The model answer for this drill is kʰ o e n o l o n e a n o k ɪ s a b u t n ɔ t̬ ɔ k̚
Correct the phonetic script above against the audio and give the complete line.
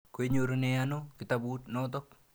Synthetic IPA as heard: k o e ɲ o ɾ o n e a n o k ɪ t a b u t n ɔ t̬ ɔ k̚